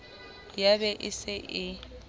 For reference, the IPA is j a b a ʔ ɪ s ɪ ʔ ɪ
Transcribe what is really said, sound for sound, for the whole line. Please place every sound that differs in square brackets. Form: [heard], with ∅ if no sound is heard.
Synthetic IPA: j a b [ɛ] ʔ ɪ s ɪ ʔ ɪ